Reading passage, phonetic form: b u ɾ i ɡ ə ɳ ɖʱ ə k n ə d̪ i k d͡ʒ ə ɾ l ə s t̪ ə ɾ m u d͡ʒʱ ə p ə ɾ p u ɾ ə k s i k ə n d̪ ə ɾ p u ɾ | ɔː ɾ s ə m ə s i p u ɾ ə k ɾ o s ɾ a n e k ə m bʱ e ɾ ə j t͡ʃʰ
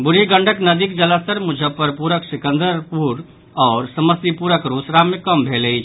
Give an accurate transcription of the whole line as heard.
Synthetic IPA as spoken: b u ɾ i ɡ ə ɳ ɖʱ ə k n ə d̪ i k d͡ʒ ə l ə s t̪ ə ɾ m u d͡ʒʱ ə p ə ɾ p u ɾ ə k s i k ə n d̪ ə ɾ p u ɾ | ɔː ɾ s ə m ə s i p u ɾ ə k ɾ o s ɾ a m e k ə m bʱ e l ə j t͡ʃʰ